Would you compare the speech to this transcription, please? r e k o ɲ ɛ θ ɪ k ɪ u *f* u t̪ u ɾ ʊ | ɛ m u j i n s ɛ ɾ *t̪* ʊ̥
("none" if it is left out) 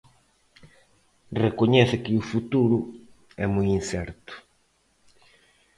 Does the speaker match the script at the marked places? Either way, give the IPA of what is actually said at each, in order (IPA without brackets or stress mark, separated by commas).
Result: f, t̪